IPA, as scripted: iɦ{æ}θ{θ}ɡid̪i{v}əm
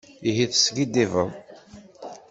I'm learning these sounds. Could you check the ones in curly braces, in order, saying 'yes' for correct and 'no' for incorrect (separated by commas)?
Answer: no, no, yes